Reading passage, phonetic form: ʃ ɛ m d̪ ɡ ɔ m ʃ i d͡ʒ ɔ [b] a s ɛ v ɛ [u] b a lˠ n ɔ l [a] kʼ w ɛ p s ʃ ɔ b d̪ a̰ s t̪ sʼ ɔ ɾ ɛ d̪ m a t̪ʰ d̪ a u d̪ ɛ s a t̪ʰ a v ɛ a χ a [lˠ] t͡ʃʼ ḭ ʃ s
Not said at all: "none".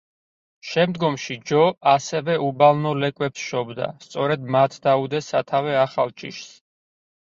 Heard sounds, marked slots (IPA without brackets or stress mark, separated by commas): none, u, ɛ, lˠ